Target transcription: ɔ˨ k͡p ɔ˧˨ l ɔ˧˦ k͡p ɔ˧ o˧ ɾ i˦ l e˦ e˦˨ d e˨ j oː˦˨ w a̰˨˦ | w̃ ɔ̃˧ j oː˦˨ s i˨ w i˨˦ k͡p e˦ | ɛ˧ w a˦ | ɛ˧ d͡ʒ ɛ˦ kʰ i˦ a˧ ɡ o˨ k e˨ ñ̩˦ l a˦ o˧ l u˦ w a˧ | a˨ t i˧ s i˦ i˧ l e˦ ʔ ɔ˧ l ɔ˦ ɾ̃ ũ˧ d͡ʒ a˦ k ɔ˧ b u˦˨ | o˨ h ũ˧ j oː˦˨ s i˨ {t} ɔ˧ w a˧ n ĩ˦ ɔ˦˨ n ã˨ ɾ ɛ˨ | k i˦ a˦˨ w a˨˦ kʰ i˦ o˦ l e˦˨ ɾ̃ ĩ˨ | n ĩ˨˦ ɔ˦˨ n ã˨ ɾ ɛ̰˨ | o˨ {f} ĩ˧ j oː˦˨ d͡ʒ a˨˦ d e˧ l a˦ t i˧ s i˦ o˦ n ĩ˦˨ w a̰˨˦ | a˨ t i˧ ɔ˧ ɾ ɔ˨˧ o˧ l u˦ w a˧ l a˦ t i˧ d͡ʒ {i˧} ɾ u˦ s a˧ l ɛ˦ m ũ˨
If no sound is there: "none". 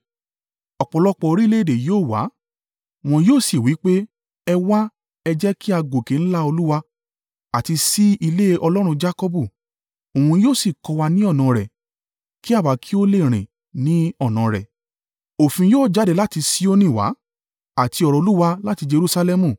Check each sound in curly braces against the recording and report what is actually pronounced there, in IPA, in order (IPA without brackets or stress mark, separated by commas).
k, f, e˧